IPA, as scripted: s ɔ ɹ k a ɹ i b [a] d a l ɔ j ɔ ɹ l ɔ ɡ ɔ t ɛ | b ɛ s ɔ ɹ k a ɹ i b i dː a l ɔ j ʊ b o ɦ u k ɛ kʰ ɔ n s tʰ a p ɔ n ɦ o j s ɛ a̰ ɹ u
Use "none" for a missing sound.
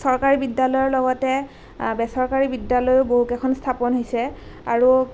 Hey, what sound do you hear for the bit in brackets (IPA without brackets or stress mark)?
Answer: i